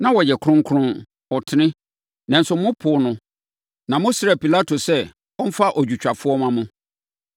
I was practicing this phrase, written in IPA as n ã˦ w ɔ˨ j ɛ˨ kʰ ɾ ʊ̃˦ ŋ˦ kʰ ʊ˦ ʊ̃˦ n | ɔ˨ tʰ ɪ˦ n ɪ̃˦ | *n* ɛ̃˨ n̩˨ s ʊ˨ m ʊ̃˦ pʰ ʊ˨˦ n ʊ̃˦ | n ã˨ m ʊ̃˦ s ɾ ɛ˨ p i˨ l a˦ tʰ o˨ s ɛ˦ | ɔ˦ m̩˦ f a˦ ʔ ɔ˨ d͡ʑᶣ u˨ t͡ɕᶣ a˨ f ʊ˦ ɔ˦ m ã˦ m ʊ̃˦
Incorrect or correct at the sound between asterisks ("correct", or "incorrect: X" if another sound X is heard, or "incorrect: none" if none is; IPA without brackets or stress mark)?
correct